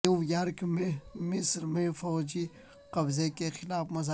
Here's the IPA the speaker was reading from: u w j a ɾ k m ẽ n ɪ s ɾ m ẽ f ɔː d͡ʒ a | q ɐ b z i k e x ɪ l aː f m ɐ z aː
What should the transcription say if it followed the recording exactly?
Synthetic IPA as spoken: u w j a ɾ k m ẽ m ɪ s ɾ m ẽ f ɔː d͡ʒ i | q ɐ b z e k e x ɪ l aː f m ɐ z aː